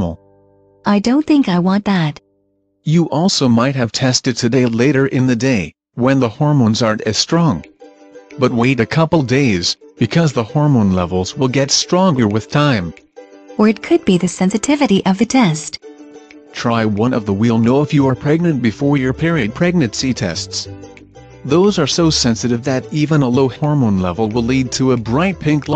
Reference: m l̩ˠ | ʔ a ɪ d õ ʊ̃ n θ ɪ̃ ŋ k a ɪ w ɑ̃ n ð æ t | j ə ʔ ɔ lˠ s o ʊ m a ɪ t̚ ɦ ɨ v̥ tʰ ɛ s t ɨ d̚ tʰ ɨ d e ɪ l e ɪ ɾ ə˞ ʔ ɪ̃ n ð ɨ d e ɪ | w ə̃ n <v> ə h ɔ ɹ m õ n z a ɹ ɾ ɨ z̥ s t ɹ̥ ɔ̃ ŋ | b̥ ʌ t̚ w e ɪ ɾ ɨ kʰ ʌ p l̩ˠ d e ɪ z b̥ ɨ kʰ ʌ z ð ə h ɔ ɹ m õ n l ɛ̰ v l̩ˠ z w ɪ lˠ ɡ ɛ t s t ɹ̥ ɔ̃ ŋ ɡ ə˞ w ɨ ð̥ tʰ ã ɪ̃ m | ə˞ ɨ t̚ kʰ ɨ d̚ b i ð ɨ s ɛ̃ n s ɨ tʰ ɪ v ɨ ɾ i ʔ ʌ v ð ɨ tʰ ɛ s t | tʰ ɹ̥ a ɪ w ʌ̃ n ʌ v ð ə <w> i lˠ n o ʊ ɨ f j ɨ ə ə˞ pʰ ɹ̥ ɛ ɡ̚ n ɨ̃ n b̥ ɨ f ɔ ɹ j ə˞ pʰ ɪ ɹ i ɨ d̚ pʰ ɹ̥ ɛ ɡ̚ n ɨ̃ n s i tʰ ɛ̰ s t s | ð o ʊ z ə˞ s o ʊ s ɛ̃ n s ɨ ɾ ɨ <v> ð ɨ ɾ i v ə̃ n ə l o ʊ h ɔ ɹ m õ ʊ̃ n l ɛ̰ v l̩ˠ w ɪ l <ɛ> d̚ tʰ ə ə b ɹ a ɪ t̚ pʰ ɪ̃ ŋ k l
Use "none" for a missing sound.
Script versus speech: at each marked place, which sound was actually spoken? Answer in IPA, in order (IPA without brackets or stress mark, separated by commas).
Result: ð, w, v, i